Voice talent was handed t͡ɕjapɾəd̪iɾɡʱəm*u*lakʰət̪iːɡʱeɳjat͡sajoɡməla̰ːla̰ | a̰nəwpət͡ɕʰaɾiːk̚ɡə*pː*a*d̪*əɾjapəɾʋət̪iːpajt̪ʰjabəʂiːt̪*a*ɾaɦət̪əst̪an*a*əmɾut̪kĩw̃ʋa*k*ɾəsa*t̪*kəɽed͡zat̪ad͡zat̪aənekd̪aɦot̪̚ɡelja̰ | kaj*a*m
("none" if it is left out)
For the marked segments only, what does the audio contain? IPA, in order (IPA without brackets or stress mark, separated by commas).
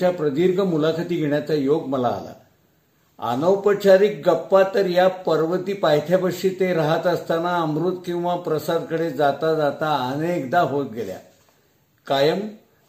u, pː, t̪, e, a, p, d̪, ə